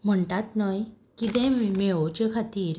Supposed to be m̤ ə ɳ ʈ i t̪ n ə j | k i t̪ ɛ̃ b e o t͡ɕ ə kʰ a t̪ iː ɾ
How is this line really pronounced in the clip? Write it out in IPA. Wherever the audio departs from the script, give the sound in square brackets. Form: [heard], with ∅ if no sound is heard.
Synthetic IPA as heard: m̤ ə ɳ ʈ [a] t̪ n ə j | k i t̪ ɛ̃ [m] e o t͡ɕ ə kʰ a t̪ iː ɾ